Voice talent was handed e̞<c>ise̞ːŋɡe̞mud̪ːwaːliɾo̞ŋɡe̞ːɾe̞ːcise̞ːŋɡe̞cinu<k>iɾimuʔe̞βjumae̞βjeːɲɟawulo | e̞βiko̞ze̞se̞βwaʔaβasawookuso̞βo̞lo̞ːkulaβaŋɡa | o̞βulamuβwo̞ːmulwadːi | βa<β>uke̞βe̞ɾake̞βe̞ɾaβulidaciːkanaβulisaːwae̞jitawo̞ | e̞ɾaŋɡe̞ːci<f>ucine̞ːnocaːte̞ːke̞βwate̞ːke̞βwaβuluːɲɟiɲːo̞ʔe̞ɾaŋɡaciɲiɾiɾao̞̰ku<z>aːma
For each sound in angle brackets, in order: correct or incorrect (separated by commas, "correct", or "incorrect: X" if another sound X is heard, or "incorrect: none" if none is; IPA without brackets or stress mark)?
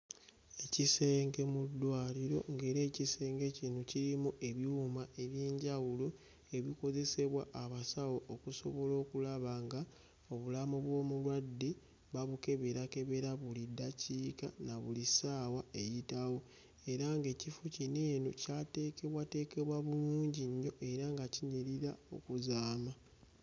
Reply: correct, incorrect: c, correct, correct, correct